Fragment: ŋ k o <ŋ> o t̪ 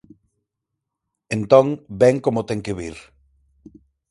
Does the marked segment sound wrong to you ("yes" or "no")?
yes